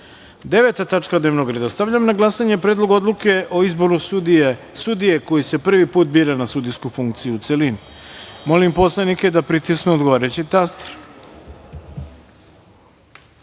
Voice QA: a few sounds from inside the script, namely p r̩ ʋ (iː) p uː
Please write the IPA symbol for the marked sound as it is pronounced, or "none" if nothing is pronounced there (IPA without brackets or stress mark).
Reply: i